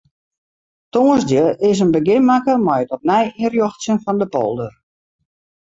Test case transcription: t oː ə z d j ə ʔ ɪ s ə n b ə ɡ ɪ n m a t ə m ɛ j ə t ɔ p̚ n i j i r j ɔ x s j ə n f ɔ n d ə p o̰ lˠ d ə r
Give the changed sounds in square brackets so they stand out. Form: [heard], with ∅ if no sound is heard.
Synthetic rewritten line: t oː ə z d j ə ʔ ɪ s ə n b ə ɡ ɪ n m a [k] ə m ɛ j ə t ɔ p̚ n [ɛ] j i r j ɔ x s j ə n f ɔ n d ə p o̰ lˠ d ə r